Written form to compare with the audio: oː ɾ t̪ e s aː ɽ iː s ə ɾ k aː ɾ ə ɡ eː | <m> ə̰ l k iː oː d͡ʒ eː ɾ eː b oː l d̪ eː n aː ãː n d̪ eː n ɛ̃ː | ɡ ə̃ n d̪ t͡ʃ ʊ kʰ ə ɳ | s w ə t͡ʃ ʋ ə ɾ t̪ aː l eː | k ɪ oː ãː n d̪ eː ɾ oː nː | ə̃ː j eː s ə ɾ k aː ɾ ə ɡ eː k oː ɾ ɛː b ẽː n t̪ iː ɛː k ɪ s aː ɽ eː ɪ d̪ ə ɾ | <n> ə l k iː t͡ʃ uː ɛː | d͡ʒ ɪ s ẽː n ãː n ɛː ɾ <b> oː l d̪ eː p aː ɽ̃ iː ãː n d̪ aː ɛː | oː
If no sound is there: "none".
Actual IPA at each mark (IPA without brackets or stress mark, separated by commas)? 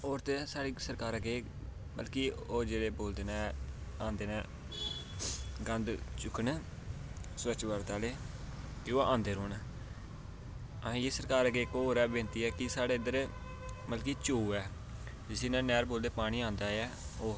m, m, b